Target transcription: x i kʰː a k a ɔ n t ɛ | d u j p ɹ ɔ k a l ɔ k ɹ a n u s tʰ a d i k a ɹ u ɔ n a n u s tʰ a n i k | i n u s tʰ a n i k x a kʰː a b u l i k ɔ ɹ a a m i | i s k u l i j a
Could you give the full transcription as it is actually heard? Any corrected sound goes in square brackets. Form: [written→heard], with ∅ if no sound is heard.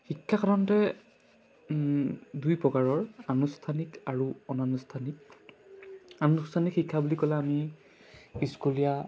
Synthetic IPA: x i kʰː a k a ɔ n t ɛ | d u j p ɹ ɔ k a [l→ɹ] ɔ [k→∅] ɹ a n u s tʰ a [d→n] i k a ɹ u ɔ n a n u s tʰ a n i k | [i→a] n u s tʰ a n i k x [a→i] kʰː a b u l i k ɔ [ɹ→l] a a m i | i s k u l i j a